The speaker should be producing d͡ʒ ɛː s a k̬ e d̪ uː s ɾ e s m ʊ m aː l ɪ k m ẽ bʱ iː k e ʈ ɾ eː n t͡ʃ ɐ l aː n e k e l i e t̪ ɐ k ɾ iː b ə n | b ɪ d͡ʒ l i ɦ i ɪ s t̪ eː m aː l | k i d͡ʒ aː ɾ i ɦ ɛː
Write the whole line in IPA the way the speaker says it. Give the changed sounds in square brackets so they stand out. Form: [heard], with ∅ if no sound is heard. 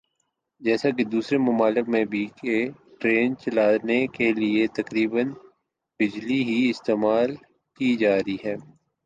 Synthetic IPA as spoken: d͡ʒ ɛː s a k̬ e d̪ uː s ɾ e [∅] m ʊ m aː l ɪ k m ẽ bʱ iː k e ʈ ɾ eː n t͡ʃ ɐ l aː n e k e l i e t̪ ɐ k ɾ iː b ə n | b ɪ d͡ʒ l i ɦ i ɪ s t̪ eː m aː l | k i d͡ʒ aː ɾ i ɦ ɛː